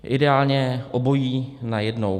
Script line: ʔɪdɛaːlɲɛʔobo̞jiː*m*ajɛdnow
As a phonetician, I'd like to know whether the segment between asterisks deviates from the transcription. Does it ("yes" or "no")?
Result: yes